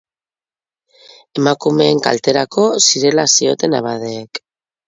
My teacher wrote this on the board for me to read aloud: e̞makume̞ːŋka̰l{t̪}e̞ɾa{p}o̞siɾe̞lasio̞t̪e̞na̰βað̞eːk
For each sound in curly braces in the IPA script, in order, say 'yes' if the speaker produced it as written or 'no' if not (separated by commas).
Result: yes, no